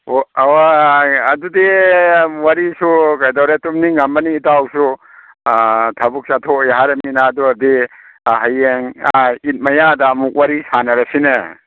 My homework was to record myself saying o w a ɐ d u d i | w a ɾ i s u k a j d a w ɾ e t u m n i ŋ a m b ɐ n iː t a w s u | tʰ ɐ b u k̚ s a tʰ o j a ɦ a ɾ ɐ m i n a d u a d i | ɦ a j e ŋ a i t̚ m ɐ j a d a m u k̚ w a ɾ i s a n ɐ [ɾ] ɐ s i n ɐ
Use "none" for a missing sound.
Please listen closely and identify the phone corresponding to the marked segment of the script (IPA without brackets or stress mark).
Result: ɾ